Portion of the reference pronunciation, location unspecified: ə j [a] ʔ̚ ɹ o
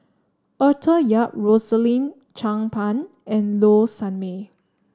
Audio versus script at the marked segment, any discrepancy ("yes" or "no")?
no